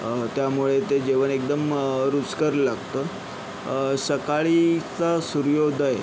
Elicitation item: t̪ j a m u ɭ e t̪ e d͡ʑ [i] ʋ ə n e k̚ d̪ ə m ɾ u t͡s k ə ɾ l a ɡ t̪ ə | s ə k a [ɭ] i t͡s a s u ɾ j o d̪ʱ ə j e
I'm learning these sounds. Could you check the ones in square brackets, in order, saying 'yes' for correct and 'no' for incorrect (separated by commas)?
no, yes